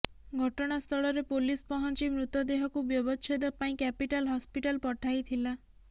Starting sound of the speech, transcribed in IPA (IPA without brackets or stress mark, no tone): ɡʱ